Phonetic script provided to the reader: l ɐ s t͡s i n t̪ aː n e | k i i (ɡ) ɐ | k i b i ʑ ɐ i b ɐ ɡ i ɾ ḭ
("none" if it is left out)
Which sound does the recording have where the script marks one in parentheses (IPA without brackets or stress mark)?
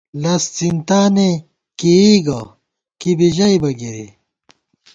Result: ɡ